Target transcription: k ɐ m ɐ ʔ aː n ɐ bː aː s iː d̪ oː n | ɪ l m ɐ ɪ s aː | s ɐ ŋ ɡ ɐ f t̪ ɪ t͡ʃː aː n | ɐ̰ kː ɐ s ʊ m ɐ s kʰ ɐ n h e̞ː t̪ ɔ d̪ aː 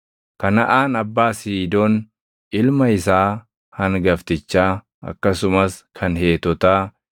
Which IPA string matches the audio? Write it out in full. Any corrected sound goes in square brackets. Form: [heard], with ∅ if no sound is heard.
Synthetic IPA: k ɐ [n] ɐ ʔ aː n ɐ bː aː s iː d̪ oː n | ɪ l m ɐ ɪ s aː | [h] ɐ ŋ ɡ ɐ f t̪ ɪ t͡ʃː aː [∅] | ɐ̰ kː ɐ s ʊ m ɐ s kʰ ɐ n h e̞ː t̪ ɔ [t̪] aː